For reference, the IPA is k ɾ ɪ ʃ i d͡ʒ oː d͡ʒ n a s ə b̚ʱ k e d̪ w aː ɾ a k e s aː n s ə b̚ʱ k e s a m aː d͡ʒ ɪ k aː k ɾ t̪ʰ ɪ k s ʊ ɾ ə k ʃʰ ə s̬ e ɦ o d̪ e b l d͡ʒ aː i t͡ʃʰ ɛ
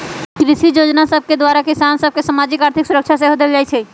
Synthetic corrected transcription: k ɾ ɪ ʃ i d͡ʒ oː d͡ʒ n a s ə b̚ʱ k e d̪ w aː ɾ a k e s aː n s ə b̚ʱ k e s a m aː d͡ʒ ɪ k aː ɾ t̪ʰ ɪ k s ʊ ɾ ə k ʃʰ a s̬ e ɦ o d̪ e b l d͡ʒ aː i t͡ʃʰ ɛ